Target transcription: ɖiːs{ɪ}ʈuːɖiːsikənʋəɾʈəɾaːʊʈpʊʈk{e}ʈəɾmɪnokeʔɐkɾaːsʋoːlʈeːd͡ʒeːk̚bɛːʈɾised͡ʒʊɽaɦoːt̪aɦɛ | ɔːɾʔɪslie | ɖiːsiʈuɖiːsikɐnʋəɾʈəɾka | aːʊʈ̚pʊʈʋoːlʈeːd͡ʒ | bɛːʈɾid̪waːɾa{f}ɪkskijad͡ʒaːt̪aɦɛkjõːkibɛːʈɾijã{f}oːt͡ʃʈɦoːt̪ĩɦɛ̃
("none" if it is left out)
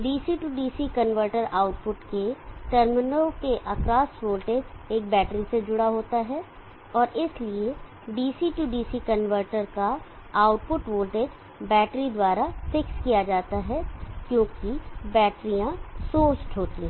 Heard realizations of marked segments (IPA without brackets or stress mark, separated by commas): i, e, f, s